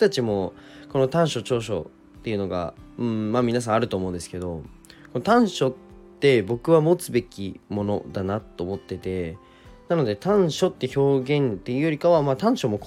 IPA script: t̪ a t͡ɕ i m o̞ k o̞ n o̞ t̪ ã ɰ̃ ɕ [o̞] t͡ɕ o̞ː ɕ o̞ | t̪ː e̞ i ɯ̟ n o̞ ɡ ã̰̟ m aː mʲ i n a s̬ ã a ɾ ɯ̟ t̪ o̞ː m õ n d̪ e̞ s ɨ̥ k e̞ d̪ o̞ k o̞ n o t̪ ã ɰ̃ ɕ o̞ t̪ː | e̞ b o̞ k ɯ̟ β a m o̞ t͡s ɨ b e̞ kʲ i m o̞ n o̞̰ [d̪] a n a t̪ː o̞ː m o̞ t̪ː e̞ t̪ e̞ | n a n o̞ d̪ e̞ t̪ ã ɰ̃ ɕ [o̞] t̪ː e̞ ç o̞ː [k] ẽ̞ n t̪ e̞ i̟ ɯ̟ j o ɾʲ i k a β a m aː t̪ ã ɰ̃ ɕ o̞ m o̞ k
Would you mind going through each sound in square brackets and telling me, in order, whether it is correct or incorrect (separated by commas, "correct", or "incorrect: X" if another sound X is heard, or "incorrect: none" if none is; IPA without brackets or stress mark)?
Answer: correct, correct, correct, incorrect: ɡ